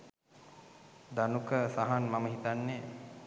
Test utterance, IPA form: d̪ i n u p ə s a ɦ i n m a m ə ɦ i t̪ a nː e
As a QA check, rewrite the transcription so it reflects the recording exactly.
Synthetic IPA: d̪ a n u k ə s a ɦ a n m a m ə ɦ i t̪ a nː e